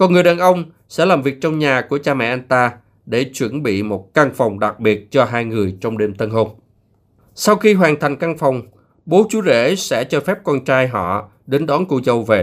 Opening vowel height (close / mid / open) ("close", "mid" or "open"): mid